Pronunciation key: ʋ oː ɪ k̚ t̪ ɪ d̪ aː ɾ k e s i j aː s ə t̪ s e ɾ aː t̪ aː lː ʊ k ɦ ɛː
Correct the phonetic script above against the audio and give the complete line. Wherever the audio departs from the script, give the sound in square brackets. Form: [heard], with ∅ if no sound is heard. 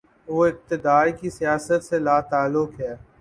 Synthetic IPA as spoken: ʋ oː ɪ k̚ t̪ ɪ d̪ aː ɾ k [i] s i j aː s ə t̪ s e [l] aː t̪ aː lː ʊ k ɦ ɛː